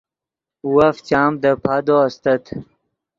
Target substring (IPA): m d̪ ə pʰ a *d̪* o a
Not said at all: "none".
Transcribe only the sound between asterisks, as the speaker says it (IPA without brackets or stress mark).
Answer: d̪